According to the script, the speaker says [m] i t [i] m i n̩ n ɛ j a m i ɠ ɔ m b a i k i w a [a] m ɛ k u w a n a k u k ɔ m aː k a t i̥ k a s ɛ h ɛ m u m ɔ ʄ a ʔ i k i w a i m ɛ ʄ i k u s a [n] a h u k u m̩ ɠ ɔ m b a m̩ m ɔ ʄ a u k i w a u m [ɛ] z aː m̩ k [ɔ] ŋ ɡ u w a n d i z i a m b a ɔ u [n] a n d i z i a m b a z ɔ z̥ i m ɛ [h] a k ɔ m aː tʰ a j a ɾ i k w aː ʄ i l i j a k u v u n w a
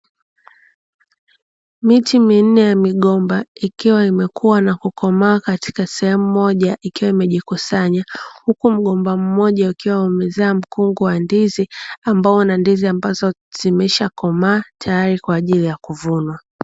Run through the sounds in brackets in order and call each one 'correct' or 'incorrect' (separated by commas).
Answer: correct, correct, incorrect, incorrect, correct, incorrect, correct, incorrect